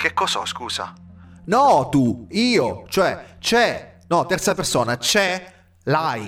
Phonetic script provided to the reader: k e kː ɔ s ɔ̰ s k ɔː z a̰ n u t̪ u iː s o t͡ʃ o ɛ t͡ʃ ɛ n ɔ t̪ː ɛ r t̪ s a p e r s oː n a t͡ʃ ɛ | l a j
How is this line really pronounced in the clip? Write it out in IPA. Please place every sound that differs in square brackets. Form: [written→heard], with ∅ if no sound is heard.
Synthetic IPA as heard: k e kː ɔ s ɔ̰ s k [ɔː→uː] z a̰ n [u→ɔ] t̪ u iː [s→∅] o t͡ʃ o ɛ t͡ʃ ɛ n ɔ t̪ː ɛ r t̪ s a p e r s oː n a t͡ʃ ɛ | l a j